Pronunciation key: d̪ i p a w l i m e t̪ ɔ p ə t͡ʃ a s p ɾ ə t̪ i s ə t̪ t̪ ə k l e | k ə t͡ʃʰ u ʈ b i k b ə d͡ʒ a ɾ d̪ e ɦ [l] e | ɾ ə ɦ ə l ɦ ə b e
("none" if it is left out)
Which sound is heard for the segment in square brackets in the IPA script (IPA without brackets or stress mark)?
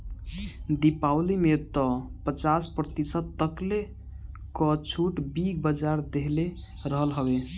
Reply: l